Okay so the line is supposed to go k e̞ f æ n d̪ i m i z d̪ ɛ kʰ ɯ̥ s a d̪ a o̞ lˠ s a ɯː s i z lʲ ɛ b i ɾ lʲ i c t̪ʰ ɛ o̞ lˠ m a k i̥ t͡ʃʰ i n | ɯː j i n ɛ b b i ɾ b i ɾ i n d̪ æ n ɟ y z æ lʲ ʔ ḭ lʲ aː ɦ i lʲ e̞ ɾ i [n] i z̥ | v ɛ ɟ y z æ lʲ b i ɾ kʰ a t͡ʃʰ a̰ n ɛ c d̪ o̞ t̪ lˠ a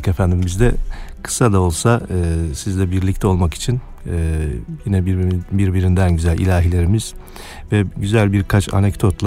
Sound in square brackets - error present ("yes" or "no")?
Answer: yes